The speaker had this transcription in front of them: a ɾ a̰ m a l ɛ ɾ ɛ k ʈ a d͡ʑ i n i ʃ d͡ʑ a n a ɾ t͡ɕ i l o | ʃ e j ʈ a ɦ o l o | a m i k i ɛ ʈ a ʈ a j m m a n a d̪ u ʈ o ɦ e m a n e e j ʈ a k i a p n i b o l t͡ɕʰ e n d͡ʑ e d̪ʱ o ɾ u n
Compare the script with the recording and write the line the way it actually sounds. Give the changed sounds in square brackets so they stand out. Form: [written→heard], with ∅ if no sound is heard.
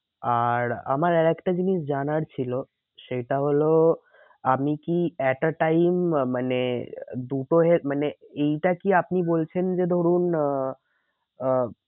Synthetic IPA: a ɾ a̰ m a [l→ɾ] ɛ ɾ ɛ k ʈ a d͡ʑ i n i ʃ d͡ʑ a n a ɾ [t͡ɕ→t͡ɕʰ] i l o | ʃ e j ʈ a ɦ o l o | a m i k i ɛ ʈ a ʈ a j m m a n [a→e] d̪ u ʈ o ɦ e m a n e e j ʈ a k i a p n i b o l t͡ɕʰ e n d͡ʑ e d̪ʱ o ɾ u n